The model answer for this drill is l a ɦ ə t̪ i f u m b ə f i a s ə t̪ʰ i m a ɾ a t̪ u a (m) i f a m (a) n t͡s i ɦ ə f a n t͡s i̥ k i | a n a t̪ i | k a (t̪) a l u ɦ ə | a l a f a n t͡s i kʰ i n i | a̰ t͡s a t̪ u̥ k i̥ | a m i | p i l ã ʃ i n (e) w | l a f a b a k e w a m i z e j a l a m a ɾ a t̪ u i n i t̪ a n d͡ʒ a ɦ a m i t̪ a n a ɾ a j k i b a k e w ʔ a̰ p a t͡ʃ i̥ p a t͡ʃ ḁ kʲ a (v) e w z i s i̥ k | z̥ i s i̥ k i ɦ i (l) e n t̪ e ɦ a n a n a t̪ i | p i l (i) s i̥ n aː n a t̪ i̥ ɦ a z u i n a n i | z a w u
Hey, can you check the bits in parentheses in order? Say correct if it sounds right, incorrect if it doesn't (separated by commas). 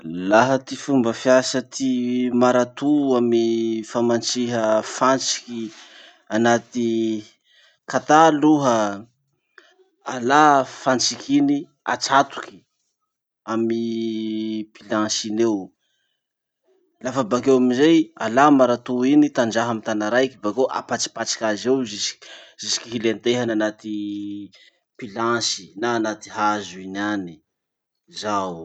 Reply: correct, correct, correct, correct, incorrect, correct, incorrect